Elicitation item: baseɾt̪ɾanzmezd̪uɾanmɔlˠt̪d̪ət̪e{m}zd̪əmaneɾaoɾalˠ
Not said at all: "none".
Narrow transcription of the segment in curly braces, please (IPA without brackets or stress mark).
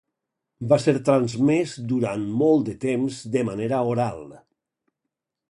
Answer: m